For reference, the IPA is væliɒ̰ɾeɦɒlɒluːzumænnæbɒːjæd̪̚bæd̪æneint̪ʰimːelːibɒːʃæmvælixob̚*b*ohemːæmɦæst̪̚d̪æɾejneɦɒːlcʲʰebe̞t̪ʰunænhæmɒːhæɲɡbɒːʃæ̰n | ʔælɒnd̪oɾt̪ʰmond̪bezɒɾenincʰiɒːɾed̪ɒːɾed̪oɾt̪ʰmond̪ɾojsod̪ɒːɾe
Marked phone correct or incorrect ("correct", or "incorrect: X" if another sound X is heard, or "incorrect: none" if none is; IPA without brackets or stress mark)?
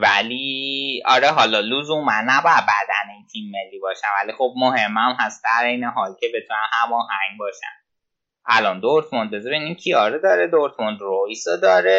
incorrect: m